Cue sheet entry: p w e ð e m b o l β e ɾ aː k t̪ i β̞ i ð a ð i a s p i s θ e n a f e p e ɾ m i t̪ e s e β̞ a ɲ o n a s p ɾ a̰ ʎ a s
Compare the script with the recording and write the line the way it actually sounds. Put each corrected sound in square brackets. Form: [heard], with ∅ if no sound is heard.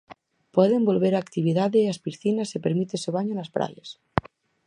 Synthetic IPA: p w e ð e m b o l β e ɾ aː k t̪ i β̞ i ð a ð [e] a s p i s θ [i] n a [s] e p e ɾ m i t̪ e s e β̞ a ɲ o n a s p ɾ a̰ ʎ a s